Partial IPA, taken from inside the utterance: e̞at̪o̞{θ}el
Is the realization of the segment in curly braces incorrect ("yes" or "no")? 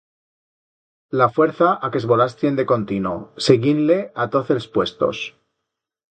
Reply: no